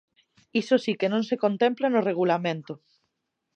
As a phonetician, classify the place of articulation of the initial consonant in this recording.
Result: alveolar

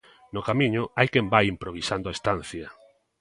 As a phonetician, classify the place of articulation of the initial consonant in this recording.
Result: alveolar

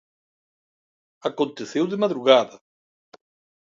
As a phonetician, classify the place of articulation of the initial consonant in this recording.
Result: velar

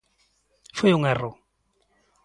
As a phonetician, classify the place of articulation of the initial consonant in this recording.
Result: labial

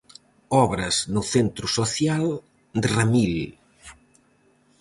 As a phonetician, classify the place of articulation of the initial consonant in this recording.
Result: labial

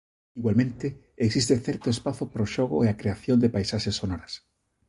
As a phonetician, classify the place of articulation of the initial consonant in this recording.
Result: velar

